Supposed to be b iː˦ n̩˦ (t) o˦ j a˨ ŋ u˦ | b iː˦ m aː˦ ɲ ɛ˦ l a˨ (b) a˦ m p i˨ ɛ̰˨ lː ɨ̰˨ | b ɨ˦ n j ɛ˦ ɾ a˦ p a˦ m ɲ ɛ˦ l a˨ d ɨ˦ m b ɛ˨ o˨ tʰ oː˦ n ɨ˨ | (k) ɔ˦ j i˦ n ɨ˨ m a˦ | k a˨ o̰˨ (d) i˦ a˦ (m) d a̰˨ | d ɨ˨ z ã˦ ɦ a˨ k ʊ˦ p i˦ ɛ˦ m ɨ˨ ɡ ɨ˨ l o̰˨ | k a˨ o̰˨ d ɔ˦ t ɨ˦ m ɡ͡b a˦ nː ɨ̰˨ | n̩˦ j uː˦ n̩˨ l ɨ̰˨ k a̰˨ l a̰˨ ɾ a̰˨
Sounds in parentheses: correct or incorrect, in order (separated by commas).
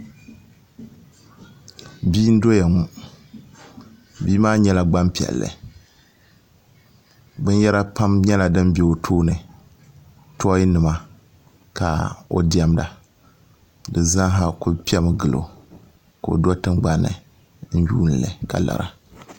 incorrect, incorrect, incorrect, correct, correct